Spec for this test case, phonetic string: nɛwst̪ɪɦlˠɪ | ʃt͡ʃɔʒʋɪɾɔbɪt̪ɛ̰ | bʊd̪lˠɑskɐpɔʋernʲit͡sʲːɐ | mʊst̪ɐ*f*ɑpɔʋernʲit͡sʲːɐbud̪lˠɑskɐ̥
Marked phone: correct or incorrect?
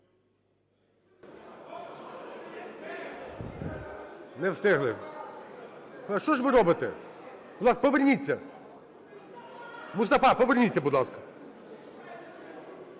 correct